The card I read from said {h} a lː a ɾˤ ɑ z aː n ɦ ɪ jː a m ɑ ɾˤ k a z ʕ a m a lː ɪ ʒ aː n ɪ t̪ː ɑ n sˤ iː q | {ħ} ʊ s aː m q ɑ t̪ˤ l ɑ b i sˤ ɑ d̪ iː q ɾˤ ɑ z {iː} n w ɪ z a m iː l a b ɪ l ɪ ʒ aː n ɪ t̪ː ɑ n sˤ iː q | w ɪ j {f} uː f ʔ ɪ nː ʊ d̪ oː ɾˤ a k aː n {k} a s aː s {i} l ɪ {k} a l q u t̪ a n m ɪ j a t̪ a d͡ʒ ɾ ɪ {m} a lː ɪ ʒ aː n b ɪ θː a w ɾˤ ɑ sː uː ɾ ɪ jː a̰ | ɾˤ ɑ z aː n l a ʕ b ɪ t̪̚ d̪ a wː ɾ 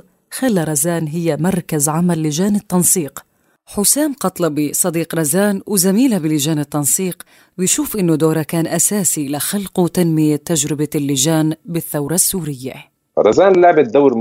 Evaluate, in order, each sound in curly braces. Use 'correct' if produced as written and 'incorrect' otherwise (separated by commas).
incorrect, correct, incorrect, incorrect, incorrect, correct, incorrect, incorrect